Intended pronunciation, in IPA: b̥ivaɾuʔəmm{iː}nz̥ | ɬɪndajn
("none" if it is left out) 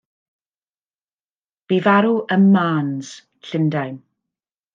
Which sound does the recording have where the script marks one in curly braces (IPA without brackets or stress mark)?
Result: aː